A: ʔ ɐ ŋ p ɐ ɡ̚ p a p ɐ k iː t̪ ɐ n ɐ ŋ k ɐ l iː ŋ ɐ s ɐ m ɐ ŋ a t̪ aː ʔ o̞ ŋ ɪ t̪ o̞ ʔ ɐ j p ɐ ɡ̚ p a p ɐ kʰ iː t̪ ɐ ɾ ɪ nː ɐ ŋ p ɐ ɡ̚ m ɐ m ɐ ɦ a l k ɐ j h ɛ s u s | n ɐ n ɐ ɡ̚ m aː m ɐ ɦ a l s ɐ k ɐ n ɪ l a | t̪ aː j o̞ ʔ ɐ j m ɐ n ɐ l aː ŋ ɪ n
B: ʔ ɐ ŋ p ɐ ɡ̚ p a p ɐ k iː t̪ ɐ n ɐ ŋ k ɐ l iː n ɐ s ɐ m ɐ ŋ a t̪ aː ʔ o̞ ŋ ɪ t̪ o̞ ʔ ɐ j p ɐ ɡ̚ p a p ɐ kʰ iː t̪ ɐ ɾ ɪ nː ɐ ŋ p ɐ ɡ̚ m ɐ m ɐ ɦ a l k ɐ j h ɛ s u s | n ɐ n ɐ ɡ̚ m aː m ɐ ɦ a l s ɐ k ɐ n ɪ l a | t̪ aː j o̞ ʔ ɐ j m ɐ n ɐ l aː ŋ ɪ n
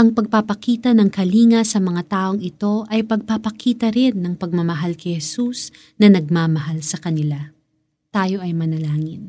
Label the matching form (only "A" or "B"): A